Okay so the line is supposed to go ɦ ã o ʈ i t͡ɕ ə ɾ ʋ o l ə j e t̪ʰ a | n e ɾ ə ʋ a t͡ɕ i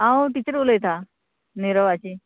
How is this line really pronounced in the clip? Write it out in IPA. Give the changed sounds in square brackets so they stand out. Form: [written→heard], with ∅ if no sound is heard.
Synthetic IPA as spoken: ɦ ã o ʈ i t͡ɕ ə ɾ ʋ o l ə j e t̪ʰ a | n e ɾ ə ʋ a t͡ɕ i

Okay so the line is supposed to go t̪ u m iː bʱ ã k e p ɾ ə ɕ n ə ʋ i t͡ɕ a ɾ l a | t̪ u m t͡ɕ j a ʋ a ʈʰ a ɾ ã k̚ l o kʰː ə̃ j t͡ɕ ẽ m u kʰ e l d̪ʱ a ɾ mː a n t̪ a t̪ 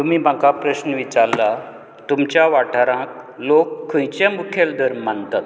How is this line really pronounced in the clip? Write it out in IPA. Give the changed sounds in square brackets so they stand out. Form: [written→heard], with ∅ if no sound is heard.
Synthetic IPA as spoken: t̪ u m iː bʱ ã k [e→a] p ɾ ə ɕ n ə ʋ i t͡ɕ a ɾ l a | t̪ u m t͡ɕ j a ʋ a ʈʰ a ɾ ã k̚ l o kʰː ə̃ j t͡ɕ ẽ m u kʰ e l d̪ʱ [a→ə] ɾ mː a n t̪ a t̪

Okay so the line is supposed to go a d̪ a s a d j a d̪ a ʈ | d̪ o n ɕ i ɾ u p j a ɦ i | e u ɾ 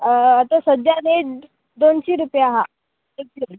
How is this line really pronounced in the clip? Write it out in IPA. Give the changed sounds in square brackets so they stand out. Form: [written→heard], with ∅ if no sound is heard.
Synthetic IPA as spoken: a [d̪→t̪] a s [a→ə] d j a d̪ [a→e] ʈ | d̪ o n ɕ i ɾ u p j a ɦ [i→a] | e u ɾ

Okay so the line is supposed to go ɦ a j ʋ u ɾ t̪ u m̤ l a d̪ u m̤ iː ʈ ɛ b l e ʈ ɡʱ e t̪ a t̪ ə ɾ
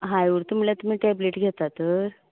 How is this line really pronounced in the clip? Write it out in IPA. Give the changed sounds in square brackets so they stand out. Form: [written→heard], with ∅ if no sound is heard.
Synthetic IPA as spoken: ɦ a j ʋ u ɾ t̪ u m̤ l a [d̪→t̪] u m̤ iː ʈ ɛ b l e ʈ ɡʱ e t̪ a t̪ ə ɾ

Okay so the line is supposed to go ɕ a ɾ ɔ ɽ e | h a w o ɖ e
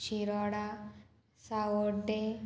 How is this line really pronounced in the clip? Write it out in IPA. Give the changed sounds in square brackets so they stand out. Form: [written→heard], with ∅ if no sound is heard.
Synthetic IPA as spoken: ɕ [a→i] ɾ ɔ ɽ [e→a] | [h→s] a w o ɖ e

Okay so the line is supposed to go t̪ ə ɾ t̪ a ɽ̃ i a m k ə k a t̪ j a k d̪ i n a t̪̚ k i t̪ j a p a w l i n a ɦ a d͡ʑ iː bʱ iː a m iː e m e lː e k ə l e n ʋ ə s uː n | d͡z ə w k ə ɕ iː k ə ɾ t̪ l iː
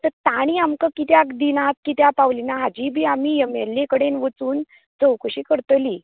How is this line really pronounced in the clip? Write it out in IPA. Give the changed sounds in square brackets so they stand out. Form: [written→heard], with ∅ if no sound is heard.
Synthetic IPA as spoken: t̪ ə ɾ t̪ a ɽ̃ i a m k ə k [a→i] t̪ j a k d̪ i n a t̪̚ k i t̪ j a p a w l i n a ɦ a d͡ʑ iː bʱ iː a m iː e m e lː e k ə [l→ɽ] e n ʋ ə [s→t͡s] uː n | d͡z ə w k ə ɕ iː k ə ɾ t̪ l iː

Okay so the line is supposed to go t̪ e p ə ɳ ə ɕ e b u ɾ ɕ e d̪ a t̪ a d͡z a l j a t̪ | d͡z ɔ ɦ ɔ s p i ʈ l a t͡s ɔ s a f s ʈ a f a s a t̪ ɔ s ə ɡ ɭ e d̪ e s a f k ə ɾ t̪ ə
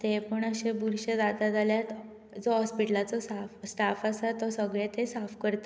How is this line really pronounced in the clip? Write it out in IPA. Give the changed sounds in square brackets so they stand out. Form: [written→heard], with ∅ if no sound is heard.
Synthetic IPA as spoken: t̪ e p ə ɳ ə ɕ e b u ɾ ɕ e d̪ a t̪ a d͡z a l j a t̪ | d͡z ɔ ɦ ɔ s p i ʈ l a t͡s ɔ s a f s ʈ a f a s a t̪ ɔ s ə ɡ ɭ e [d̪→t̪] e s a f k ə ɾ t̪ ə

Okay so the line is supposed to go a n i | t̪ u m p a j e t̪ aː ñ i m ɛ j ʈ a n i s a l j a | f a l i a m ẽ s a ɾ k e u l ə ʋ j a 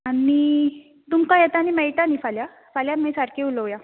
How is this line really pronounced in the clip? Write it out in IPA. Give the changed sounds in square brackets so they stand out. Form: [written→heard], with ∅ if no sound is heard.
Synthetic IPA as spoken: a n i | t̪ u m [p→k] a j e t̪ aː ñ i m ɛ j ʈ a n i [s→f] a l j a | f a l [i→j] a m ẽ s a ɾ k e u l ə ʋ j a

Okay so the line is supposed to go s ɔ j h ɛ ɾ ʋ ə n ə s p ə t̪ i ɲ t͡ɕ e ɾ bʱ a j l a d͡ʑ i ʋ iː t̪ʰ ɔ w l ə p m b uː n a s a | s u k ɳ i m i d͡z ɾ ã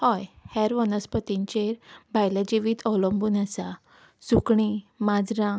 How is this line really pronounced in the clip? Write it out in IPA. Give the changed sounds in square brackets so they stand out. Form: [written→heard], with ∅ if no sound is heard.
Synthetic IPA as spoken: [s→h] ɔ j h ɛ ɾ ʋ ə n ə s p ə t̪ i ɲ t͡ɕ e ɾ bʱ a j l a d͡ʑ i ʋ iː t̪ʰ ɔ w l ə [p→∅] m b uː n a s a | s u k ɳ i m [i→a] d͡z ɾ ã

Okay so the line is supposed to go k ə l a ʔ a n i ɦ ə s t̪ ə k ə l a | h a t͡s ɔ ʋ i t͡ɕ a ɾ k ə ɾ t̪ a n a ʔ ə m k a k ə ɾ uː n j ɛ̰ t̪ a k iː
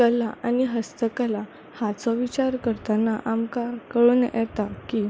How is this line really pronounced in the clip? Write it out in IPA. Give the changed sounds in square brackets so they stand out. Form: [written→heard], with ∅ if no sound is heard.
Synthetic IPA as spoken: k ə l a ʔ a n i ɦ ə s t̪ ə k ə l a | h a t͡s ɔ ʋ i t͡ɕ a ɾ k ə ɾ t̪ a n a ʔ [ə→a] m k a k ə [ɾ→ɭ] uː n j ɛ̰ t̪ a k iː

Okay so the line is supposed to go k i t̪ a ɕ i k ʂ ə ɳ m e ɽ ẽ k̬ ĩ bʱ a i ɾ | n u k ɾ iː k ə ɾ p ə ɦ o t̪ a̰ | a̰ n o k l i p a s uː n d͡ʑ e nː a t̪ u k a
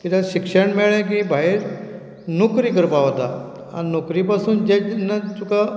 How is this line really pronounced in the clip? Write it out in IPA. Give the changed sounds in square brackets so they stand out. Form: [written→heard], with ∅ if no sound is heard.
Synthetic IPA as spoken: k i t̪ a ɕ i k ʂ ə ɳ m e [ɽ→ɭ] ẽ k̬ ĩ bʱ a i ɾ | n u k ɾ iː k ə ɾ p [ə→a] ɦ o t̪ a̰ | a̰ n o k [l→ɾ] i p a s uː n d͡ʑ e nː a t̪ u k a

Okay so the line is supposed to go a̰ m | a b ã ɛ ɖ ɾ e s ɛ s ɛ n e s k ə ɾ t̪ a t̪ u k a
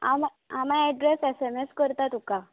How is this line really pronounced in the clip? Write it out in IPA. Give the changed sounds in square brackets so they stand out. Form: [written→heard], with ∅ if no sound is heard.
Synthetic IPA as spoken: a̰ m | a [b→m] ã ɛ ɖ ɾ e s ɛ s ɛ [n→m] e s k ə ɾ t̪ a t̪ u k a

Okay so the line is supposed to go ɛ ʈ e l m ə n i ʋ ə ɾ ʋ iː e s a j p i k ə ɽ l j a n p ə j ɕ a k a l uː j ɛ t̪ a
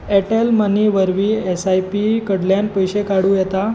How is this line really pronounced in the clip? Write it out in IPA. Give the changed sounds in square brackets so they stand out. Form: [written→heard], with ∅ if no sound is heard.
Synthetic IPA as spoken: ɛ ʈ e l m ə n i ʋ ə ɾ ʋ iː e s a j p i k ə ɽ l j a n p ə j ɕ [a→e] k a [l→ɽ] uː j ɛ t̪ a

